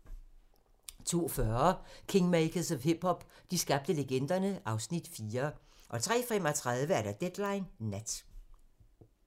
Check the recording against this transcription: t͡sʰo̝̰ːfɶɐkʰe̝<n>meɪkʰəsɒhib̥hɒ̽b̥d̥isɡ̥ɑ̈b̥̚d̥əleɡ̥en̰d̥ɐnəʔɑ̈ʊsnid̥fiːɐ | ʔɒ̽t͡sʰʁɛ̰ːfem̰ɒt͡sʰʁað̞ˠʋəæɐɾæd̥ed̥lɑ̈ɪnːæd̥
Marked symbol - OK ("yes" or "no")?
no